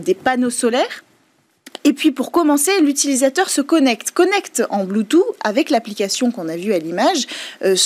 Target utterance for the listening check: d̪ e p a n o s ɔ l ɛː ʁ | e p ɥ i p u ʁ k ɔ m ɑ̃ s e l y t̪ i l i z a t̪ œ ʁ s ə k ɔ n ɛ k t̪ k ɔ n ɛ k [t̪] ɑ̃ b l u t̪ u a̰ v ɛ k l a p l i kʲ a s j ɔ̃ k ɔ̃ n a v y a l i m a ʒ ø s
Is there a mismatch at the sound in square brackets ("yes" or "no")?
no